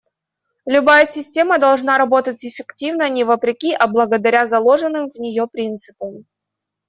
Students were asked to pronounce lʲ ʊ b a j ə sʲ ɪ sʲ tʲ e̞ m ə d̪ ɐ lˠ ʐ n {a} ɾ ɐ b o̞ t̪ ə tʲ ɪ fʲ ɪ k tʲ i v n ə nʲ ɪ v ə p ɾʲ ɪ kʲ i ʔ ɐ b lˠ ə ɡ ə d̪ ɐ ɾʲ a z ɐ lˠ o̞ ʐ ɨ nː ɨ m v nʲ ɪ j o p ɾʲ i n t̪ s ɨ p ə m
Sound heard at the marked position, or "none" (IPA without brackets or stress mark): a